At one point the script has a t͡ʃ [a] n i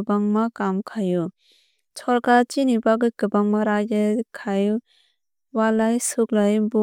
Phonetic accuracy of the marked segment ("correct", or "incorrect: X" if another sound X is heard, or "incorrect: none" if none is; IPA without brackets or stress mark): incorrect: i